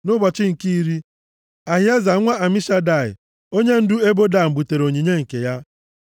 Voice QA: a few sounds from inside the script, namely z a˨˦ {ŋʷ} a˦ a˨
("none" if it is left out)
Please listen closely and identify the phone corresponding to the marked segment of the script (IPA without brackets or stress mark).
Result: ŋʷ